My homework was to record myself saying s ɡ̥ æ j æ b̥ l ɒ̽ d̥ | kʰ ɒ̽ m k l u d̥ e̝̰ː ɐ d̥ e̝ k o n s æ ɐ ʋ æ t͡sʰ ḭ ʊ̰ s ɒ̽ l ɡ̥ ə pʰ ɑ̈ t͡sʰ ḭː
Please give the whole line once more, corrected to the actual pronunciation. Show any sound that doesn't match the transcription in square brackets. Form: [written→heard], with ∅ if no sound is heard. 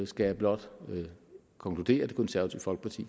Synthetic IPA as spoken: s ɡ̥ æ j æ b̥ l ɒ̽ d̥ | kʰ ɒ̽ [m→ŋ] k l u d̥ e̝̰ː ɐ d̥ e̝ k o n s æ ɐ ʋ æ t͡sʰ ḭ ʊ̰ [s→f] ɒ̽ l ɡ̥ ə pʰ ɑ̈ t͡sʰ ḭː